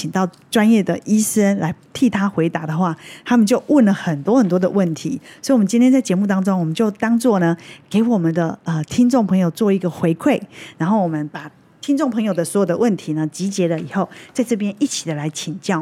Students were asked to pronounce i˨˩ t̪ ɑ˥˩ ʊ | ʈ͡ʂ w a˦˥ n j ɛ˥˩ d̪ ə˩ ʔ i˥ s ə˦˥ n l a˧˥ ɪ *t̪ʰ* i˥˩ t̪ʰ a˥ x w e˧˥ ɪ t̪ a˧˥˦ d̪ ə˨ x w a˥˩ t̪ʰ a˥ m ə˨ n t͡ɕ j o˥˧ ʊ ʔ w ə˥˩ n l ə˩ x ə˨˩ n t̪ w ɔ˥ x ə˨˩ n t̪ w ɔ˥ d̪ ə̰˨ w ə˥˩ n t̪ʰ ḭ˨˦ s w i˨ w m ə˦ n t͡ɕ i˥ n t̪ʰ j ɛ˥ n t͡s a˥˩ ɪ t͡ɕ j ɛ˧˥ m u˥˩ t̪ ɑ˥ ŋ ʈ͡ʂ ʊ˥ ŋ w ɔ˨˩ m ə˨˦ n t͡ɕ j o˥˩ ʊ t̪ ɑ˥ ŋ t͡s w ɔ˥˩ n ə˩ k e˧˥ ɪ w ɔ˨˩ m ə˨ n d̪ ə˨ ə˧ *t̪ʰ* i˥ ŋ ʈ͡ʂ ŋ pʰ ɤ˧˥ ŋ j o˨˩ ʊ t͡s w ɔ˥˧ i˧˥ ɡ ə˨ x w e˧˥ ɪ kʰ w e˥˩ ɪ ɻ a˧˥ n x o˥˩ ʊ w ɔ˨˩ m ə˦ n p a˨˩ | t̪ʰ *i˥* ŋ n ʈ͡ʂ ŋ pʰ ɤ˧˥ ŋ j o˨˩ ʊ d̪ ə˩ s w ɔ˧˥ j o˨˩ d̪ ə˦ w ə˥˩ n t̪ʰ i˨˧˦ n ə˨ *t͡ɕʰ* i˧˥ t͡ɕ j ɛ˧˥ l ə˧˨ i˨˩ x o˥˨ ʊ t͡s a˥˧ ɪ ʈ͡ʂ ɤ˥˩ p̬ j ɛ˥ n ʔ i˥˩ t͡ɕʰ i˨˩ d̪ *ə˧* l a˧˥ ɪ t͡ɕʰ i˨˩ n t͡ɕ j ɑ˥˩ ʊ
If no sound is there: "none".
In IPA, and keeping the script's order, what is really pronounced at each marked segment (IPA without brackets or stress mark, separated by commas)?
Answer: t̪ʰ, t̪ʰ, i˥, t͡ɕ, ə˩